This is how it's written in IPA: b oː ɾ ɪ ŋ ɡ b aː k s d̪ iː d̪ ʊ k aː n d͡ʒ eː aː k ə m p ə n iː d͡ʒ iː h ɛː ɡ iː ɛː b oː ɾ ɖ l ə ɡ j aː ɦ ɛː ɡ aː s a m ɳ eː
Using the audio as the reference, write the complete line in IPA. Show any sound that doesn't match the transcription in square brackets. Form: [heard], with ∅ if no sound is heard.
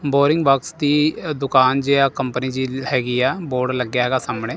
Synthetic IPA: b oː ɾ ɪ ŋ ɡ b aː k s d̪ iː d̪ ʊ k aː n d͡ʒ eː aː k ə m p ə n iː d͡ʒ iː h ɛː ɡ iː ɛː b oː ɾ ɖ l ə ɡ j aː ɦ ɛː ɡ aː s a m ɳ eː

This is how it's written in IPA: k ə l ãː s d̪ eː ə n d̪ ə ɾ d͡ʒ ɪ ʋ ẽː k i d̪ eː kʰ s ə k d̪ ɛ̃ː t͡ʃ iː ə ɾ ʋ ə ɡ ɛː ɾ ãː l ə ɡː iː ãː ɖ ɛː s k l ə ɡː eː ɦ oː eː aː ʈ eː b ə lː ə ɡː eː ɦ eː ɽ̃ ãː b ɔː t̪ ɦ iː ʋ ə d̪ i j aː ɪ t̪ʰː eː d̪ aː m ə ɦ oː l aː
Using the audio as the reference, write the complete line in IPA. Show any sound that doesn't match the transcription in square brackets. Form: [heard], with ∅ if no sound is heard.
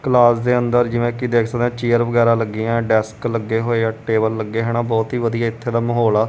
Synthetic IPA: k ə l [aː] s d̪ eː ə n d̪ ə ɾ d͡ʒ ɪ ʋ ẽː k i d̪ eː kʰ s ə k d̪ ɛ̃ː t͡ʃ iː ə ɾ ʋ ə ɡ ɛː ɾ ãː l ə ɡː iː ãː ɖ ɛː s k l ə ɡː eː ɦ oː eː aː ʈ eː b ə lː ə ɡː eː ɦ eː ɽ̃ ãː b ɔː t̪ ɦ iː ʋ ə d̪ i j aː ɪ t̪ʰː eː d̪ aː m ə ɦ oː l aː

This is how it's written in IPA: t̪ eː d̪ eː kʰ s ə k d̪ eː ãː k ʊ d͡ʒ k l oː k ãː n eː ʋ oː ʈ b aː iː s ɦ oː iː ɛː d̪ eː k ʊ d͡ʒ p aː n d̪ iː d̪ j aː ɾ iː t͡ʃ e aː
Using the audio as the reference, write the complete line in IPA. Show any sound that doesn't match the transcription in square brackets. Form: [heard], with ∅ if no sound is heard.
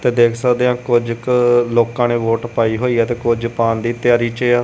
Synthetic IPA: t̪ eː d̪ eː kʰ s ə k d̪ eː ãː k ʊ d͡ʒ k l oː k ãː n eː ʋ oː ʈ [p] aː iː [∅] ɦ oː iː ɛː [t̪] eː k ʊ d͡ʒ p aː n d̪ iː [t̪] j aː ɾ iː t͡ʃ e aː

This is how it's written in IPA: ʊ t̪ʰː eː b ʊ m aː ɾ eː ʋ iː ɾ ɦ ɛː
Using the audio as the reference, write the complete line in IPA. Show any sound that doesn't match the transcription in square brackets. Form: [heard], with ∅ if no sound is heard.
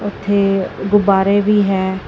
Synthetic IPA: ʊ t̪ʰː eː [ɡ] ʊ [b] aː ɾ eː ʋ iː [∅] ɦ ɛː

